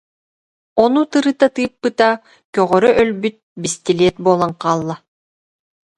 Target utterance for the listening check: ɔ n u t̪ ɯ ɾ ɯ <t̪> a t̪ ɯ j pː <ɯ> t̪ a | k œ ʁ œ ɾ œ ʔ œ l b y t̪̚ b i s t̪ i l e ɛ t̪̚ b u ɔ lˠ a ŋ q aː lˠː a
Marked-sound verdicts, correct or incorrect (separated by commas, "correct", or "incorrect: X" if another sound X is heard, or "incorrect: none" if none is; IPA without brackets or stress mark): correct, correct